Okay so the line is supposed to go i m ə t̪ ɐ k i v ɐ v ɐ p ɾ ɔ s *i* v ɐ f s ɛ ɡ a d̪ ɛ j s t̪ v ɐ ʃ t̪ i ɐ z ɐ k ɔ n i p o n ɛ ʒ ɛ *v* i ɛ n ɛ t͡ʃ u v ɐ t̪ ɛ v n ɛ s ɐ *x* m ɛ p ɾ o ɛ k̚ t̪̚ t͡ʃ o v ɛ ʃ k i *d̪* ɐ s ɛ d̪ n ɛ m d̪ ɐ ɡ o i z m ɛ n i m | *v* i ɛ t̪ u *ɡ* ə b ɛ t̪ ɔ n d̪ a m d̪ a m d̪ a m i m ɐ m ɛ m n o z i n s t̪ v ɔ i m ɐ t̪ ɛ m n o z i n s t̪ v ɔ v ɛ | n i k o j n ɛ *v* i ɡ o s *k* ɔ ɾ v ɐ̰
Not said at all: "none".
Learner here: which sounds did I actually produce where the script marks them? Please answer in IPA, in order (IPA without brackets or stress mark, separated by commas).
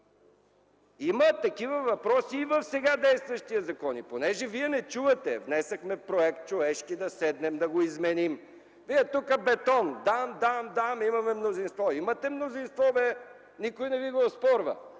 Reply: iː, v, x, d̪, v, k, v, p